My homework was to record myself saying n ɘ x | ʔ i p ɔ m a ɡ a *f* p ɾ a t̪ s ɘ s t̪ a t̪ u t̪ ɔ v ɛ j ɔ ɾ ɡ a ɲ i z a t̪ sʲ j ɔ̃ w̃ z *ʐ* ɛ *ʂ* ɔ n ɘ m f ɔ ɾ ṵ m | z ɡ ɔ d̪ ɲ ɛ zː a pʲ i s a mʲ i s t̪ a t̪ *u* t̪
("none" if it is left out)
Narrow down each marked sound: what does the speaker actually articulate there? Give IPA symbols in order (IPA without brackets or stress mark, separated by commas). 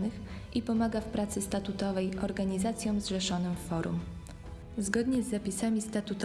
f, ʐ, ʂ, u